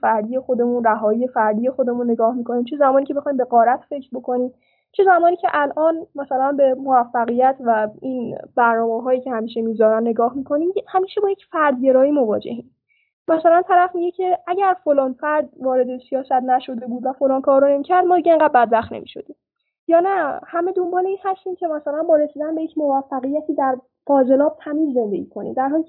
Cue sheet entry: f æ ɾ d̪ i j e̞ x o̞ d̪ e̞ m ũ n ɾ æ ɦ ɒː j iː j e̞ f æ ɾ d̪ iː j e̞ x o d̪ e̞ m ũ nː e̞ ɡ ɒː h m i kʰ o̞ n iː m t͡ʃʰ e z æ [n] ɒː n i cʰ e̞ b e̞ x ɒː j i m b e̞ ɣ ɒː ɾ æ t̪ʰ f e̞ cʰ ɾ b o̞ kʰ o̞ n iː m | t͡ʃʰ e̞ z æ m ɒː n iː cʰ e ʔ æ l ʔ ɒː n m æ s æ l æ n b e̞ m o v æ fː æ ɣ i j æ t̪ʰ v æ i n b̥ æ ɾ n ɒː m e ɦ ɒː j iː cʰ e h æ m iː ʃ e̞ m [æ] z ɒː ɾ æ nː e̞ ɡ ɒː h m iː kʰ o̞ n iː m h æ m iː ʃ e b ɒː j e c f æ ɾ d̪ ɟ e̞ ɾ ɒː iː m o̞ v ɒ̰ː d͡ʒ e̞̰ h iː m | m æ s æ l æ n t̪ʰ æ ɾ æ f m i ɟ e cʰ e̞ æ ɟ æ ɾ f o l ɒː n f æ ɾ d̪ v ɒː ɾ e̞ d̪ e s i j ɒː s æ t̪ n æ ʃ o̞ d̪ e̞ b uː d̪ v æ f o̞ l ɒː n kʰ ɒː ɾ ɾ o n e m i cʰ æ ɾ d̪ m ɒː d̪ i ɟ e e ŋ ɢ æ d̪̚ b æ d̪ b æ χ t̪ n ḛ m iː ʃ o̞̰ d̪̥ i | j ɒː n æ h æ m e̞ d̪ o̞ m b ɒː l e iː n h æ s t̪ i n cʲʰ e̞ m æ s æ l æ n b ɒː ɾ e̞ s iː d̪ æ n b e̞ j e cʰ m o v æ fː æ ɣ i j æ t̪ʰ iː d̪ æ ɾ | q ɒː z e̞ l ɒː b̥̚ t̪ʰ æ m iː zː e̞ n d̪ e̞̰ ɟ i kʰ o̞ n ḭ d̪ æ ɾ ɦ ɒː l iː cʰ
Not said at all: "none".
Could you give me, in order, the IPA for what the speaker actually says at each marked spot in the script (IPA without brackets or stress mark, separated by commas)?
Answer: m, i